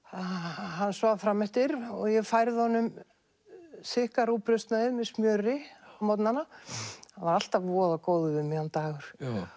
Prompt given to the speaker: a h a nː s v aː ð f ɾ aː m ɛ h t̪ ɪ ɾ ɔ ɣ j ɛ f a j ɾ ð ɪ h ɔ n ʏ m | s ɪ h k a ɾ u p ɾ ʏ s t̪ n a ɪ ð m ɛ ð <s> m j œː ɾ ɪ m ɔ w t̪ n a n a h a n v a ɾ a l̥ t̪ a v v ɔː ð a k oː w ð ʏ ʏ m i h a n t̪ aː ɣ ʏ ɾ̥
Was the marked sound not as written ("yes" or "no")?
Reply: no